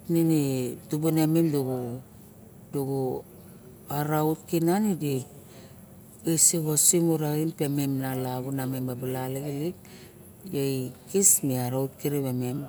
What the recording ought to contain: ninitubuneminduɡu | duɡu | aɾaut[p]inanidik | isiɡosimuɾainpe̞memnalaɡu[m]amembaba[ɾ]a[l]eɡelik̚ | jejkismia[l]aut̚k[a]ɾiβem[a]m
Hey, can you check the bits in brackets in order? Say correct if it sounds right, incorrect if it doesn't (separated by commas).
incorrect, incorrect, incorrect, correct, incorrect, incorrect, incorrect